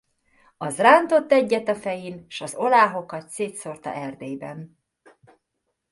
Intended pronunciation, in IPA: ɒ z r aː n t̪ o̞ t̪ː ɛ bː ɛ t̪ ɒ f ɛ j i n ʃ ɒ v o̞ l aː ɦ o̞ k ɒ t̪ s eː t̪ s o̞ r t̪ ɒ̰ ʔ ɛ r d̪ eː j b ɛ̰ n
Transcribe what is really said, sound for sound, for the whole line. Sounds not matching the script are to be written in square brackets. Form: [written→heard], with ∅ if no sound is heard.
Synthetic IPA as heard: ɒ z r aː n t̪ o̞ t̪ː ɛ [bː→ɟː] ɛ t̪ ɒ f ɛ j i n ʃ ɒ [v→z] o̞ l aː ɦ o̞ k ɒ t̪ s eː t̪ s o̞ r t̪ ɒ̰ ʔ ɛ r d̪ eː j b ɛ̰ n